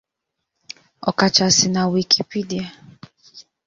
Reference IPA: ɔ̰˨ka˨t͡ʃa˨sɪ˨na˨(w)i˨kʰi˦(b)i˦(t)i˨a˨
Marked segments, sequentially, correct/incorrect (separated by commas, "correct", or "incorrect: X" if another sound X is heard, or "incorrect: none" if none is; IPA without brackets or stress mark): correct, incorrect: p, incorrect: d